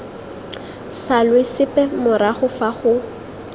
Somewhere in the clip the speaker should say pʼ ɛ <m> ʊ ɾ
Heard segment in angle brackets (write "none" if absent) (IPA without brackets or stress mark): m